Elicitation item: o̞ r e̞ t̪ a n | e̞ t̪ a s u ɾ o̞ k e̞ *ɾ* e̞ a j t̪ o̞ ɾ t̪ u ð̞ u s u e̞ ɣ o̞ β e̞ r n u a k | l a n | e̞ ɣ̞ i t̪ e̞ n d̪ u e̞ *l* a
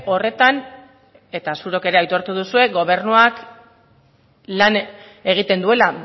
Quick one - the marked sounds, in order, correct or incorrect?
correct, correct

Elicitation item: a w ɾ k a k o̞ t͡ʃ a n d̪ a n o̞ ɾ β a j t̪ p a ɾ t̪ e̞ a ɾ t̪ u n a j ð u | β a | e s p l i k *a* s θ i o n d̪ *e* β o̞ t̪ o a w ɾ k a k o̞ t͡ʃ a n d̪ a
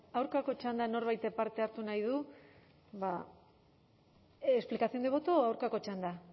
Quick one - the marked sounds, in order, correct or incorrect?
correct, correct

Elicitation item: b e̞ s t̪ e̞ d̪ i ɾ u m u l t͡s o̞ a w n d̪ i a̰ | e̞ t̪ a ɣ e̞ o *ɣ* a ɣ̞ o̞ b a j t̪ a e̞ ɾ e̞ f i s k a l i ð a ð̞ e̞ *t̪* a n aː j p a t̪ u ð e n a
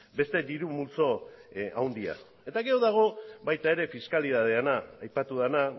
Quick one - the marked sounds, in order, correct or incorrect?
incorrect: ð, incorrect: none

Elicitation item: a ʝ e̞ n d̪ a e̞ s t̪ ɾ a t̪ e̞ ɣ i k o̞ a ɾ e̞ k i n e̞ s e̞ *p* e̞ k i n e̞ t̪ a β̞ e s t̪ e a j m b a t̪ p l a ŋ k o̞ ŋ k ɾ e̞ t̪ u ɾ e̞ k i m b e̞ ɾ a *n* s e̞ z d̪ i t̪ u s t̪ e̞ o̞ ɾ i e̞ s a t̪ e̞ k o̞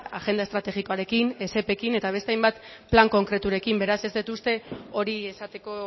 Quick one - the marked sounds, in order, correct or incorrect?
correct, incorrect: none

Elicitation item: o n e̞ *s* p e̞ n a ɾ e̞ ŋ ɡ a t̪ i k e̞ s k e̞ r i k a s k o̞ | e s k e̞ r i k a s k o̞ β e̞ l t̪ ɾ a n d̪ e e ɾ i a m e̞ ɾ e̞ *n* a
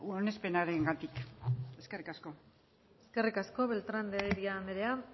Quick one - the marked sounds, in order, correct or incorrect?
correct, incorrect: none

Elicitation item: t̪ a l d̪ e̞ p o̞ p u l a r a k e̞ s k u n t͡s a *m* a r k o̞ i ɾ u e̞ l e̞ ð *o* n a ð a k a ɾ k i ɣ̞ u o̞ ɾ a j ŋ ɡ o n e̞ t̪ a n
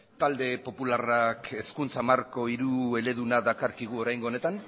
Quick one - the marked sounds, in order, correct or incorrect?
correct, incorrect: u

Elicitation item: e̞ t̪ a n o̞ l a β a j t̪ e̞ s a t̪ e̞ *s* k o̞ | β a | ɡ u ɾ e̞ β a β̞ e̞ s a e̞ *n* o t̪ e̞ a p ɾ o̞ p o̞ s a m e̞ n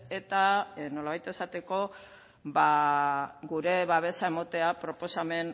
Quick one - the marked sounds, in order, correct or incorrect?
incorrect: none, incorrect: m

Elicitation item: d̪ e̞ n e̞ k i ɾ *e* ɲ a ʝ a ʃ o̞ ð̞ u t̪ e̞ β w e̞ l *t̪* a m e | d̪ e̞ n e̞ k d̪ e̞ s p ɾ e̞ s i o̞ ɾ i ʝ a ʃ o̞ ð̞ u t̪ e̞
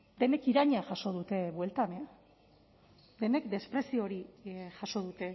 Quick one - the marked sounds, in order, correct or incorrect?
incorrect: a, correct

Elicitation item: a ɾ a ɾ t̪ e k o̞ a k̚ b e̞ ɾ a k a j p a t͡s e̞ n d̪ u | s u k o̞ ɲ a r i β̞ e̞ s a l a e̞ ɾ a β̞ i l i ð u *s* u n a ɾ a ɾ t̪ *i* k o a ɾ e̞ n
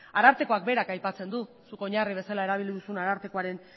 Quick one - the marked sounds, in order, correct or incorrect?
correct, incorrect: e

